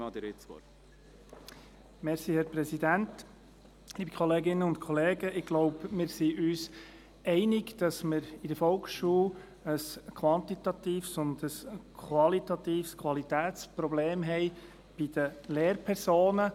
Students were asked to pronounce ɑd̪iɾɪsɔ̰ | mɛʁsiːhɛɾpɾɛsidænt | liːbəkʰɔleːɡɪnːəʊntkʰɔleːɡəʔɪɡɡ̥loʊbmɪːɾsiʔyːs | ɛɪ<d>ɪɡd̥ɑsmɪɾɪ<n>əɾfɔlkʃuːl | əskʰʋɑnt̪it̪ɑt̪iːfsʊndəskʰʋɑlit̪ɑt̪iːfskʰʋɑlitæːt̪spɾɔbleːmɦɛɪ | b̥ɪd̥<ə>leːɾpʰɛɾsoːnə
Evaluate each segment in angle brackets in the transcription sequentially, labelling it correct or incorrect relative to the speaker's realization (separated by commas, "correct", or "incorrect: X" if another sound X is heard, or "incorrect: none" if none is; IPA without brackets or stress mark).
incorrect: n, incorrect: d, correct